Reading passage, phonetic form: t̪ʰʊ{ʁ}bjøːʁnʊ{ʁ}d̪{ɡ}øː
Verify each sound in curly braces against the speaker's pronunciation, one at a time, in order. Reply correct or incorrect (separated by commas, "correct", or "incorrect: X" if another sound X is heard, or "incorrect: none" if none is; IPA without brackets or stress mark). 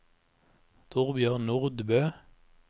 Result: correct, correct, incorrect: b